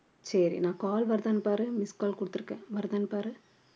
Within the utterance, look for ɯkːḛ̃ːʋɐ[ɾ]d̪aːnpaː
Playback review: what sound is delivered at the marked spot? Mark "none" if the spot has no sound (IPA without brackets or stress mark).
ɾ